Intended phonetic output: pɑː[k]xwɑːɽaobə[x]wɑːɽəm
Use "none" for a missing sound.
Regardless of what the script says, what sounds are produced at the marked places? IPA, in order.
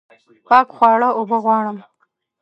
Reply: k, ɣ

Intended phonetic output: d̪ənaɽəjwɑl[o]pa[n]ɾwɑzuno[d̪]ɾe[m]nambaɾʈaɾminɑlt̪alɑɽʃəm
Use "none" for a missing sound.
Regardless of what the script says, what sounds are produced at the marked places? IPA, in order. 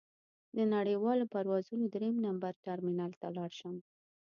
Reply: o, none, d̪, m

